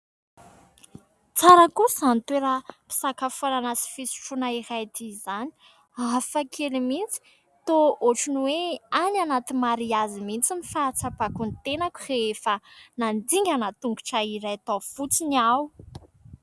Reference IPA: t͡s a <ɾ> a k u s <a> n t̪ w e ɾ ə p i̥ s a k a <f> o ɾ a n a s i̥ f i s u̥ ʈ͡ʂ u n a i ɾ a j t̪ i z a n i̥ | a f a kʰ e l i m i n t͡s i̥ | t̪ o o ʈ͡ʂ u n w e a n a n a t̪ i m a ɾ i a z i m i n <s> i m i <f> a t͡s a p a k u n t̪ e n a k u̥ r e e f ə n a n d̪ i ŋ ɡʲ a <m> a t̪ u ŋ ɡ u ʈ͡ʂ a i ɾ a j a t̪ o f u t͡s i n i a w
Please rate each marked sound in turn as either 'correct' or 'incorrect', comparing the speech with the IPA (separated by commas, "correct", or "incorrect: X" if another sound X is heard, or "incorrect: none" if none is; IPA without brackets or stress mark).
correct, correct, correct, incorrect: t͡s, correct, incorrect: n